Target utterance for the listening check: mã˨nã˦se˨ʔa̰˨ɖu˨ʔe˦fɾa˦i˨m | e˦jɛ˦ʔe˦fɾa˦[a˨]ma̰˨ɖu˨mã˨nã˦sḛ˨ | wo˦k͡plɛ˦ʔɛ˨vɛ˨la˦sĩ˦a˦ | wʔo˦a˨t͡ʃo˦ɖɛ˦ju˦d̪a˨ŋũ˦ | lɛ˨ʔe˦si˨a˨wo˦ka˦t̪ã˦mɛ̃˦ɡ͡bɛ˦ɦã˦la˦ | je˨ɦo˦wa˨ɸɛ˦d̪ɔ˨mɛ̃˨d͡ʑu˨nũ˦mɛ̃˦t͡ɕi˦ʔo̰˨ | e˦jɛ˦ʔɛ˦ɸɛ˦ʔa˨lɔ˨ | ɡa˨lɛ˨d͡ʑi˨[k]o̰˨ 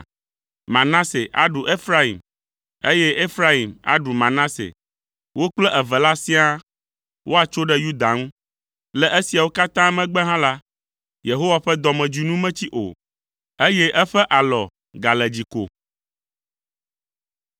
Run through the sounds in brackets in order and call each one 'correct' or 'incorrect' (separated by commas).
incorrect, correct